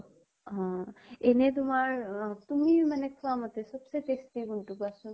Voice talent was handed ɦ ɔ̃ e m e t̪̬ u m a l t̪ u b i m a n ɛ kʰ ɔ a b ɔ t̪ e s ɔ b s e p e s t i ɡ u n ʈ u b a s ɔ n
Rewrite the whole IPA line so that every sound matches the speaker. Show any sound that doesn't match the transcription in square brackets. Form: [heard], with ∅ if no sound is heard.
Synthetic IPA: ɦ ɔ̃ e [n] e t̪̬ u m a [ɹ] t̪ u [m] i m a n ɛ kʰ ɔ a [m] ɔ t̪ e s ɔ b s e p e s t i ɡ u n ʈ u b a s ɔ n